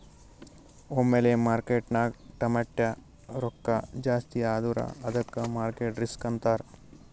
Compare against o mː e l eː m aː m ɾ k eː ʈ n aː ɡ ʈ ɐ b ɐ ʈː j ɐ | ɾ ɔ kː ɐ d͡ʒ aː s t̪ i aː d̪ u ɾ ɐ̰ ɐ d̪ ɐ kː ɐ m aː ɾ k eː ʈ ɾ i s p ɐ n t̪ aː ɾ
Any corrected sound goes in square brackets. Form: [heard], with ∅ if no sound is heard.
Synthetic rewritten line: o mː e l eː m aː [∅] ɾ k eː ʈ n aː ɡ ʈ ɐ [m] ɐ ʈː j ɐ | ɾ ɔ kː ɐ d͡ʒ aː s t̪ i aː d̪ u ɾ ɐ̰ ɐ d̪ ɐ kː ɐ m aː ɾ k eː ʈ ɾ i s [k] ɐ n t̪ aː ɾ